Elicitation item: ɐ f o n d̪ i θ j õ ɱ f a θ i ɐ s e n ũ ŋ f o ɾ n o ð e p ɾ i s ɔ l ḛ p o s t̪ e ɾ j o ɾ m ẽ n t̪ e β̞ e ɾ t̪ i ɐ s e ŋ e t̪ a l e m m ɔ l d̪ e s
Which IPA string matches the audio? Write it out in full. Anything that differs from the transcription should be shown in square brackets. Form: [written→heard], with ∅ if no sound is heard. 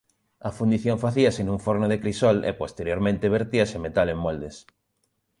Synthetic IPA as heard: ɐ f [o→u] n d̪ i θ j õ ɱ f a θ i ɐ s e n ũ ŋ f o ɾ n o ð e [p→k] ɾ i s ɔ l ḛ p o s t̪ e ɾ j o ɾ m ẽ n t̪ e β̞ e ɾ t̪ i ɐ s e [ŋ→m] e t̪ a l e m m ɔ l d̪ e s